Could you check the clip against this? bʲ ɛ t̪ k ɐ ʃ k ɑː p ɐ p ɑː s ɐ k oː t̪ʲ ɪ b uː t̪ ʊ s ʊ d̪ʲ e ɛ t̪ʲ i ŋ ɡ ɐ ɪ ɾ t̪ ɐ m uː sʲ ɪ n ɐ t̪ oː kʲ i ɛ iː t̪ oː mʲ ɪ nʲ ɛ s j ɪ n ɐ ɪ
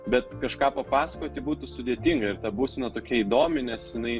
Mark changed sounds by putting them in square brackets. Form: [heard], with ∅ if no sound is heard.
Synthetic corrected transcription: bʲ ɛ t̪ k ɐ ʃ k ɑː p ɐ p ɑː s ɐ k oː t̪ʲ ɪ b uː t̪ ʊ s ʊ d̪ʲ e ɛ t̪ʲ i ŋ ɡ ɐ ɪ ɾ t̪ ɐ [b] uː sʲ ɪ n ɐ t̪ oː kʲ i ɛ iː [d̪] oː mʲ ɪ nʲ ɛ s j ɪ n ɐ ɪ

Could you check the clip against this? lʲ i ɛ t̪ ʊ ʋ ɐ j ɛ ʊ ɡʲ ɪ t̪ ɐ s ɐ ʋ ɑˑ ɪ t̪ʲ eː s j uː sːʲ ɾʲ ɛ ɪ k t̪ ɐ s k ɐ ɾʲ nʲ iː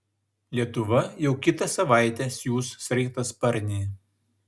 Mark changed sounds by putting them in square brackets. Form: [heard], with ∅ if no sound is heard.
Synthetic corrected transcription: lʲ i ɛ t̪ ʊ ʋ ɐ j ɛ ʊ [kʲ] ɪ t̪ ɐ s ɐ ʋ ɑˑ ɪ t̪ʲ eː s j uː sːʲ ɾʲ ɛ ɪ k t̪ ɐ s [p] ɐ ɾʲ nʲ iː

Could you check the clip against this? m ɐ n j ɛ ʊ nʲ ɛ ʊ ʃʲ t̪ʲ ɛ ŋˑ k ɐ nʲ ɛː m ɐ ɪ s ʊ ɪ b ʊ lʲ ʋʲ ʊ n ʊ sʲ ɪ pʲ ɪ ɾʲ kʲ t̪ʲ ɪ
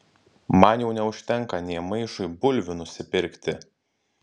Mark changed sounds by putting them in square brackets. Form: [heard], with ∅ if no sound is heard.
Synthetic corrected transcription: m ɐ n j ɛ ʊ nʲ ɛ ʊ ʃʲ t̪ʲ ɛ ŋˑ k ɐ nʲ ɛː m ɐ ɪ [ʃ] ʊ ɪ b ʊ lʲ ʋʲ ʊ n ʊ sʲ ɪ pʲ ɪ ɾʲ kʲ t̪ʲ ɪ

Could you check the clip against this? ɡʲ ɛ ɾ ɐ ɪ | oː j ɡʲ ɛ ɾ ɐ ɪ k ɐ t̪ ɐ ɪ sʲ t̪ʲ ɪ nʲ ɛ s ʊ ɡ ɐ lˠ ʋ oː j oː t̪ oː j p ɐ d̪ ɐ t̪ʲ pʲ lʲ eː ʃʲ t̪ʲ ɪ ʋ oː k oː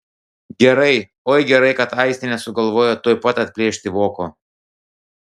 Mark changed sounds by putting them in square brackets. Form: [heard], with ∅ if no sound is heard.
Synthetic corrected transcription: ɡʲ ɛ ɾ ɐ ɪ | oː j ɡʲ ɛ ɾ ɐ ɪ k ɐ t̪ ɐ ɪ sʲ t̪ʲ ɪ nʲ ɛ s ʊ ɡ ɐ lˠ ʋ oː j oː t̪ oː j p ɐ [t̪] ɐ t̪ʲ pʲ lʲ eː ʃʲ t̪ʲ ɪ ʋ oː k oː

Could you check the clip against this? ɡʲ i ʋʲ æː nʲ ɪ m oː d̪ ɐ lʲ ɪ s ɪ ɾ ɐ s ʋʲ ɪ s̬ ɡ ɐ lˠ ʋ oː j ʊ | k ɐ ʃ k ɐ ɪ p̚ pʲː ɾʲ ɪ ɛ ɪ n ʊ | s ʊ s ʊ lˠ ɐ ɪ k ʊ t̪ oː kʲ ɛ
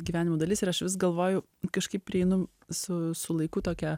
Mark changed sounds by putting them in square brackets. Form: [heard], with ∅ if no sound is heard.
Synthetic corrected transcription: ɡʲ i ʋʲ æː nʲ ɪ m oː d̪ ɐ lʲ ɪ s ɪ ɾ ɐ [ʃ] ʋʲ ɪ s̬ ɡ ɐ lˠ ʋ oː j ʊ | k ɐ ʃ k ɐ ɪ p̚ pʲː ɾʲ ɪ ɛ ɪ n ʊ | s ʊ s ʊ lˠ ɐ ɪ k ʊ t̪ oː kʲ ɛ

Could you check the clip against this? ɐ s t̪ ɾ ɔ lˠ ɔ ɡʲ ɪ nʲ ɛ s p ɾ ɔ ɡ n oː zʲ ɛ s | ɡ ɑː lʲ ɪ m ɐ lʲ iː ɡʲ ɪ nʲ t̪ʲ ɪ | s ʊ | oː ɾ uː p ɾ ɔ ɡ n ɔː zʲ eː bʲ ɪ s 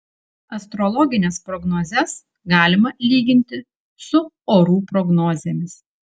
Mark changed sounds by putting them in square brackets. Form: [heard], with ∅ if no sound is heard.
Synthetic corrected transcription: ɐ s t̪ ɾ ɔ lˠ ɔ ɡʲ ɪ nʲ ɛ s p ɾ ɔ ɡ n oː zʲ ɛ s | ɡ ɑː lʲ ɪ m ɐ lʲ iː ɡʲ ɪ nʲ t̪ʲ ɪ | s ʊ | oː ɾ uː p ɾ ɔ ɡ n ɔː zʲ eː [mʲ] ɪ s

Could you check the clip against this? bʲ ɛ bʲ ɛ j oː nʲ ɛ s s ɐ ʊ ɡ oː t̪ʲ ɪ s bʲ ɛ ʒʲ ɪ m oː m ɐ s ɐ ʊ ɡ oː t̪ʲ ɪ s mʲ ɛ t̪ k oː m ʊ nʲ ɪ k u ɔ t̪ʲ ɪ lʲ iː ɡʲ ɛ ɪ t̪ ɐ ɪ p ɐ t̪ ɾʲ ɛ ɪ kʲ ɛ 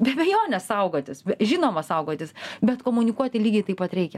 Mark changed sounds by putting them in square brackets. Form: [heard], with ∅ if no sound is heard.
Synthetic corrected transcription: bʲ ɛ bʲ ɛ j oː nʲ ɛ s s ɐ ʊ ɡ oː t̪ʲ ɪ s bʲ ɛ ʒʲ ɪ [n] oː m ɐ s ɐ ʊ ɡ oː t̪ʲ ɪ s [bʲ] ɛ t̪ k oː m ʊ nʲ ɪ k u ɔ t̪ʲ ɪ lʲ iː ɡʲ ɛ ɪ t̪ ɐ ɪ p ɐ t̪ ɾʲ ɛ ɪ kʲ ɛ

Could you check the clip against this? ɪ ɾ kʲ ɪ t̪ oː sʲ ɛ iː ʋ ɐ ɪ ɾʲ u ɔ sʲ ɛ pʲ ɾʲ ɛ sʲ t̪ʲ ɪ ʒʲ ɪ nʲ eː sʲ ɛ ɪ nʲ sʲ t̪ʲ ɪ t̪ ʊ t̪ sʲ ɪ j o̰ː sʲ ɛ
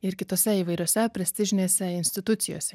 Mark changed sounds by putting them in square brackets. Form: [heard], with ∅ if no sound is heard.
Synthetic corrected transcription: ɪ ɾ kʲ ɪ t̪ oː sʲ ɛ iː ʋ ɐ ɪ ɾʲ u ɔ sʲ ɛ pʲ ɾʲ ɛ sʲ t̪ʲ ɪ ʒʲ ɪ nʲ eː sʲ ɛ ɪ nʲ sʲ t̪ʲ ɪ t̪ ʊ t̪ sʲ ɪ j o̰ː sʲ ɛ

